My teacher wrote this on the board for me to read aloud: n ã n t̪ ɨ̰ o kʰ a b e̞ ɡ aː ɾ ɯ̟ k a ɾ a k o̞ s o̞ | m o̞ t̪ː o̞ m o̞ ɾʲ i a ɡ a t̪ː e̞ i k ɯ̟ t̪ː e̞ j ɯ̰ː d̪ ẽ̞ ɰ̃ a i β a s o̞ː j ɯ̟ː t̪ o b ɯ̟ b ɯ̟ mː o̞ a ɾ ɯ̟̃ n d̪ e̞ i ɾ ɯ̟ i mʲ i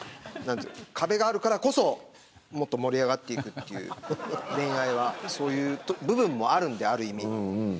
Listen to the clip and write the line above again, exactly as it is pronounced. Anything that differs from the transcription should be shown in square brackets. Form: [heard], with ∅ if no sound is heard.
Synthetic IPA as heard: n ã n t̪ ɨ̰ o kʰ a b e̞ ɡ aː ɾ ɯ̟ k a ɾ a k o̞ s o̞ | m o̞ t̪ː o̞ m o̞ ɾʲ i a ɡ a t̪ː e̞ i k ɯ̟ t̪ː e̞ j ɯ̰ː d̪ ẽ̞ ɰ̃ a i β a s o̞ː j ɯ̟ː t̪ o b ɯ̟ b [ɯ̟̃] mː o̞ a ɾ ɯ̟̃ n d̪ e̞ [a] ɾ ɯ̟ i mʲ i